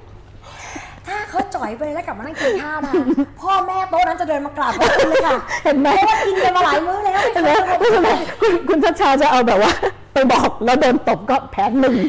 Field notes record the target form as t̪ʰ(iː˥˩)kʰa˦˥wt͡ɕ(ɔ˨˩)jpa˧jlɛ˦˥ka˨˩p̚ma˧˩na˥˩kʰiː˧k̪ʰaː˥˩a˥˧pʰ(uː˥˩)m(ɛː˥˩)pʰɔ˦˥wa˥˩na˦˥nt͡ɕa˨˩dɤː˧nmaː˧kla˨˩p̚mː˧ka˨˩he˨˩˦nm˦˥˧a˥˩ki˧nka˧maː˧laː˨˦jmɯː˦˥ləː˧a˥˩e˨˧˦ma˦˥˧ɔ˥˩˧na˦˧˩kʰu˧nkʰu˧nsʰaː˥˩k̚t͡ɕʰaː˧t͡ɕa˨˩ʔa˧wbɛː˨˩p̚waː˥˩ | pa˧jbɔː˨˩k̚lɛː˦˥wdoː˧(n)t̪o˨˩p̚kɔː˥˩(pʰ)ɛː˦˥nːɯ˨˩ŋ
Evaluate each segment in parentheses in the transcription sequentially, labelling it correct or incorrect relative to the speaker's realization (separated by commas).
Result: incorrect, correct, incorrect, correct, correct, correct